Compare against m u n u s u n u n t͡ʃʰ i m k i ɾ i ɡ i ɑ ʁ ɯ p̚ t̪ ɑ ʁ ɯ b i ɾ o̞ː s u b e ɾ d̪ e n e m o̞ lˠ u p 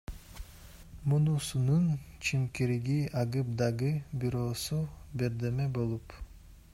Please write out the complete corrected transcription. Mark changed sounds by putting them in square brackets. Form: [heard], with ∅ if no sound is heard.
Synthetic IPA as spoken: m u n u s u n u n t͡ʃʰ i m k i ɾ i ɡ i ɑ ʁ ɯ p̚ [d̪] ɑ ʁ ɯ b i ɾ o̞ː s u b e ɾ d̪ e [m] e [b] o̞ lˠ u p